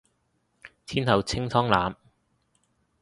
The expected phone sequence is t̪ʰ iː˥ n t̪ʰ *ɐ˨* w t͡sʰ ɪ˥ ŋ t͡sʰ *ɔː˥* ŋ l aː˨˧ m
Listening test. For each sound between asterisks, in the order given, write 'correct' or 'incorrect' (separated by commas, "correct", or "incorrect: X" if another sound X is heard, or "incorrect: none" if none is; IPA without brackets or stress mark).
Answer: correct, correct